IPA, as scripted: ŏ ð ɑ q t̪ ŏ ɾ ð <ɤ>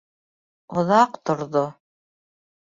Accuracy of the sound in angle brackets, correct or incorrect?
incorrect